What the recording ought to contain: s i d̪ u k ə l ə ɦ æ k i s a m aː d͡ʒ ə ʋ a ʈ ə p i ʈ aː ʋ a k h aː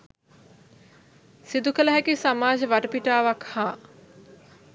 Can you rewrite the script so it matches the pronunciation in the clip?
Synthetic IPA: s i d̪ u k ə l ə ɦ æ k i s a m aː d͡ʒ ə ʋ a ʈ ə p i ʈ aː ʋ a k h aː